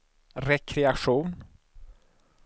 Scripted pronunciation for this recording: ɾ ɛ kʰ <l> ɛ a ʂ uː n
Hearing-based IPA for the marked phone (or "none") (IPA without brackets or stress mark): ɾ